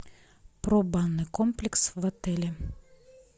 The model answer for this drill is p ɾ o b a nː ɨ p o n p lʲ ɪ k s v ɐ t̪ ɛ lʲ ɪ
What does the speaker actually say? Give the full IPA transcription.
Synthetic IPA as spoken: p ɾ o b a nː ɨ k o m p lʲ ɪ k s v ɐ t̪ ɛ lʲ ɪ